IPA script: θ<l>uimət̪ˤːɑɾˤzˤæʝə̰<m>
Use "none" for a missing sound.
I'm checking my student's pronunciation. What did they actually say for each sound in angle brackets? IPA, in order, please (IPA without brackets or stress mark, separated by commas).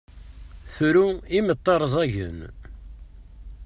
ɾ, n